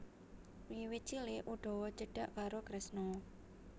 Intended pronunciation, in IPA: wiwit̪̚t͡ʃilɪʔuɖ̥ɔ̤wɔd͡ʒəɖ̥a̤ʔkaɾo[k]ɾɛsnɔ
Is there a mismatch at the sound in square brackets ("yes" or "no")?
no